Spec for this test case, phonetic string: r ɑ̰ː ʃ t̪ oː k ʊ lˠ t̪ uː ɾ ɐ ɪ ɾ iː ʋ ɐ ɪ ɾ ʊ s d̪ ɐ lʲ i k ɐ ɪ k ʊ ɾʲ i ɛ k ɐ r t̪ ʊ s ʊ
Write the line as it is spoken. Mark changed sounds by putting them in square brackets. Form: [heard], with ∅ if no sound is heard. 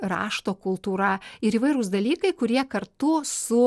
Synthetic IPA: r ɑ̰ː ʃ t̪ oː k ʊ lˠ t̪ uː ɾ ɐ ɪ ɾ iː ʋ ɐ ɪ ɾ ʊ s d̪ ɐ lʲ [iː] k ɐ ɪ k ʊ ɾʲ i ɛ k ɐ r t̪ ʊ s ʊ